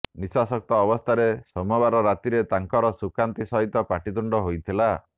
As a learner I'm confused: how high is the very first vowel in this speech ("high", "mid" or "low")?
high